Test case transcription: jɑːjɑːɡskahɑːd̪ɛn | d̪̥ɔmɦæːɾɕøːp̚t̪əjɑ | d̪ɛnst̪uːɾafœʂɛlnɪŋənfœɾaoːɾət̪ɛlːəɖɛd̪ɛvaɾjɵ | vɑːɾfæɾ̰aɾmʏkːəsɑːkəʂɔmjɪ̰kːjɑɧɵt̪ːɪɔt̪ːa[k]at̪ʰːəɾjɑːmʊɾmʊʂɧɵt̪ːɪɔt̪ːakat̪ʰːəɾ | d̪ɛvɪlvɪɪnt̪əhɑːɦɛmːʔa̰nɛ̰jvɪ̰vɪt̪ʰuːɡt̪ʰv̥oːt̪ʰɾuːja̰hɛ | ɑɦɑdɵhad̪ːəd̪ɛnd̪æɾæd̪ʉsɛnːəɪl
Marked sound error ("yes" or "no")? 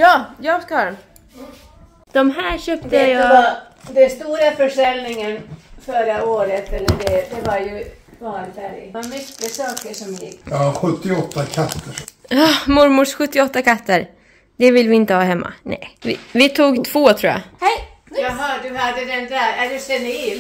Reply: yes